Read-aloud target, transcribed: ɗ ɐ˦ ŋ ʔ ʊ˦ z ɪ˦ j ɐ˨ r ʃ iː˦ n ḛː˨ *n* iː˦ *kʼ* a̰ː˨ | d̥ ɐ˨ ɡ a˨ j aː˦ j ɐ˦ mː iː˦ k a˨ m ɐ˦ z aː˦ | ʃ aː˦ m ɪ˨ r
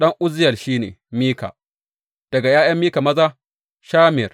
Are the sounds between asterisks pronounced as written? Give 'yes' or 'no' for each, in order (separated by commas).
no, no